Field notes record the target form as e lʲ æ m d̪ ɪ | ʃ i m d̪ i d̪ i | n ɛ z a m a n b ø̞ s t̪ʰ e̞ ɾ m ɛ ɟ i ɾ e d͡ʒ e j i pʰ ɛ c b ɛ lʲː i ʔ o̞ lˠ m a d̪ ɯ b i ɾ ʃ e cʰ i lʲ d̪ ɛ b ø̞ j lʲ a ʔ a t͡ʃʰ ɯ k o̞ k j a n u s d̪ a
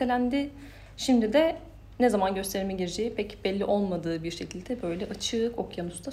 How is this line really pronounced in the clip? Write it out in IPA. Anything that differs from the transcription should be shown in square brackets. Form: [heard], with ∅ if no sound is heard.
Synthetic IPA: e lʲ æ [n] d̪ ɪ | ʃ i m d̪ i d̪ [ɛ] | n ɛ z a m a n [ɟ] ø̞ s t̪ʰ e̞ ɾ m ɛ ɟ i ɾ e d͡ʒ e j i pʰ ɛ c b ɛ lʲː i ʔ o̞ lˠ m a d̪ [ɯː] b i ɾ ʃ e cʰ i lʲ d̪ ɛ b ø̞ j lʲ [ɛ] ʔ a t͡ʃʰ ɯ k o̞ k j a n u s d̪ a